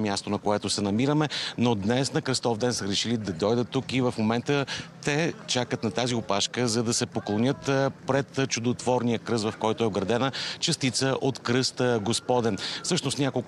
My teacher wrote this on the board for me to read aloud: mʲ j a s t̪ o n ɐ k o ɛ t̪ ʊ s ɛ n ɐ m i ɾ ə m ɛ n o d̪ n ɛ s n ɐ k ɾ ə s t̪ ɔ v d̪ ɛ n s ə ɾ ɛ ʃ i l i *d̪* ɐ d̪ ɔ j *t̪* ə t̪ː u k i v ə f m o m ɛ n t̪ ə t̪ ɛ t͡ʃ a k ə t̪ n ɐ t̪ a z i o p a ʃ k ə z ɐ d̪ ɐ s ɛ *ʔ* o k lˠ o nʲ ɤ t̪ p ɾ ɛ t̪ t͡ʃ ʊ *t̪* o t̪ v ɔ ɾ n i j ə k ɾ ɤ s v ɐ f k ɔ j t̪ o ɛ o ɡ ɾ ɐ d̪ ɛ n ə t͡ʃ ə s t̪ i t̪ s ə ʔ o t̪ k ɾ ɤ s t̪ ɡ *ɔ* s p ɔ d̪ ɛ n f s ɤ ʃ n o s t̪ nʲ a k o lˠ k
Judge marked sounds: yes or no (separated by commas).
yes, no, no, no, no